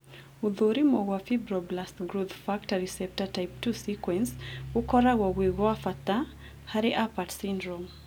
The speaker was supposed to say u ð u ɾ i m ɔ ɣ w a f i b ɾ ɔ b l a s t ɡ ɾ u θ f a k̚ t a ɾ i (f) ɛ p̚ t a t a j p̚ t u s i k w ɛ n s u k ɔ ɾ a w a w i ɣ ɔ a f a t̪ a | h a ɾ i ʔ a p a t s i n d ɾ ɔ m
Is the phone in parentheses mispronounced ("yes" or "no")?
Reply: yes